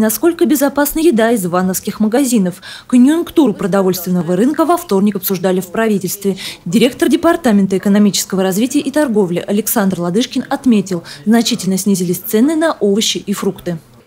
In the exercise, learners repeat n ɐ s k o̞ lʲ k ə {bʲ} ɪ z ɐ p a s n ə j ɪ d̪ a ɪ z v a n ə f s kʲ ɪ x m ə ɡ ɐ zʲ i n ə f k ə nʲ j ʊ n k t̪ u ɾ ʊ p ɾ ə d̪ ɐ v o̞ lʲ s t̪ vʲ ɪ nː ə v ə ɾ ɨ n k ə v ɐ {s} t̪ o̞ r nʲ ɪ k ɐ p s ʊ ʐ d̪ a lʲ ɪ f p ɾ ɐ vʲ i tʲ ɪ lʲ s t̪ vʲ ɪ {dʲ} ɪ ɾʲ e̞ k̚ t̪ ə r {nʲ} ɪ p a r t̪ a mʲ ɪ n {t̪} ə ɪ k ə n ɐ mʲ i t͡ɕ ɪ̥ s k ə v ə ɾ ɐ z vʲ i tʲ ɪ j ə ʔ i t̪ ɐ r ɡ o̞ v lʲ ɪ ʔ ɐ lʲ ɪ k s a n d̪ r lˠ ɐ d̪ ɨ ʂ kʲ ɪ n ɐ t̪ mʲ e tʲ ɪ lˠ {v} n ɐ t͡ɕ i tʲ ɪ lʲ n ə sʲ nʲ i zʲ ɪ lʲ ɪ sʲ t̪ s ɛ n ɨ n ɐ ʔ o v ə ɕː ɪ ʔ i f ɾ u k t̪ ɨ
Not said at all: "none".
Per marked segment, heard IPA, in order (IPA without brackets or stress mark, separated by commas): bʲ, f, dʲ, dʲ, t̪, z